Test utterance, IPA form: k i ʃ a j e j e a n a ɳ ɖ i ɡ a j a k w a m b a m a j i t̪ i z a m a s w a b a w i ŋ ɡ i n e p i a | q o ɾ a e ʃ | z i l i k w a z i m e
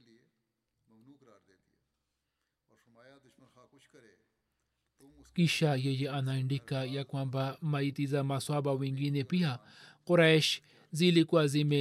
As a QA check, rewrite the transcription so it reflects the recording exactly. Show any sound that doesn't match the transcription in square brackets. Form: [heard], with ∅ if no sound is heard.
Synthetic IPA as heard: k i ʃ a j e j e a n a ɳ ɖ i [k] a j a k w a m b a m a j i t̪ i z a m a s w a b a w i ŋ ɡ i n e p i a | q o ɾ a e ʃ | z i l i k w a z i m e